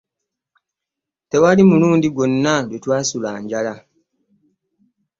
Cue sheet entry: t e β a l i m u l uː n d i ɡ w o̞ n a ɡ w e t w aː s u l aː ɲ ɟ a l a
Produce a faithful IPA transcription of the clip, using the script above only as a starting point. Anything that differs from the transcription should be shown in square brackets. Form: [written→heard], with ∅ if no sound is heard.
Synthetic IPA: t e [β→w] a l i m u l uː n d i ɡ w o̞ [n→nː] a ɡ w e t w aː s u l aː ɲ ɟ a l a